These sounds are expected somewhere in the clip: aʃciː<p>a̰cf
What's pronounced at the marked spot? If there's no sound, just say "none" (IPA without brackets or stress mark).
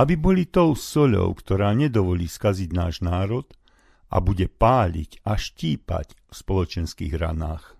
p